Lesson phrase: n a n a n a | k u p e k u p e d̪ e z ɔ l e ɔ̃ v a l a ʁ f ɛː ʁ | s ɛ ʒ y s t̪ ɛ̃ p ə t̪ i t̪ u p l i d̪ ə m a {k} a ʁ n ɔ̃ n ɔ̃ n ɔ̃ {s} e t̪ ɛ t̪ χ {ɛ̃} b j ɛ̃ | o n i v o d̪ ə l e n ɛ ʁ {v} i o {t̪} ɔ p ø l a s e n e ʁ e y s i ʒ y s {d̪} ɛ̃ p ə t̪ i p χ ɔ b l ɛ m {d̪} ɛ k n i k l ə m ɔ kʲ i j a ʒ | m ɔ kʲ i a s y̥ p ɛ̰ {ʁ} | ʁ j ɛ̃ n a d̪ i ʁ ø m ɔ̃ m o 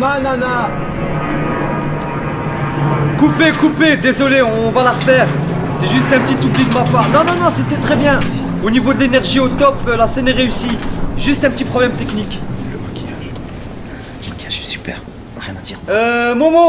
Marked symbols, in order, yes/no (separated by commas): no, yes, no, no, yes, no, no, yes